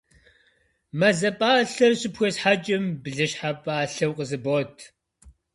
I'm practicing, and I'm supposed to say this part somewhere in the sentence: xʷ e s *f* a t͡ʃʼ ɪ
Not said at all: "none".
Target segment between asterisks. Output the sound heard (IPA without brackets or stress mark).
ħ